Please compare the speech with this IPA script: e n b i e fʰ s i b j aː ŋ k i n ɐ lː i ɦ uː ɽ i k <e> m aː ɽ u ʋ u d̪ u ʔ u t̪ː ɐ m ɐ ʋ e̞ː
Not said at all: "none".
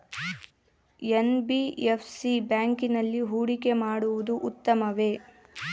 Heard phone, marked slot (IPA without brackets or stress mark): e